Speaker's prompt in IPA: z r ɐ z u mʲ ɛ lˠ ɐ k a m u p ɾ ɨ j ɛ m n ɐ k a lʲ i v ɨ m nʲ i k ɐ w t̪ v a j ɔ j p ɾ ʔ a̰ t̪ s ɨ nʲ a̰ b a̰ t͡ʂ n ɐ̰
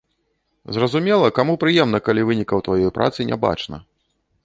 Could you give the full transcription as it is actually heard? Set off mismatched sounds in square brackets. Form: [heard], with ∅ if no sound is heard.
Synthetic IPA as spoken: z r ɐ z u mʲ ɛ lˠ ɐ k a m u p ɾ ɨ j ɛ m n ɐ k a lʲ i v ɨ [∅] nʲ i k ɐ w t̪ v a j ɔ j p ɾ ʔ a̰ t̪ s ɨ nʲ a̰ b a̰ t͡ʂ n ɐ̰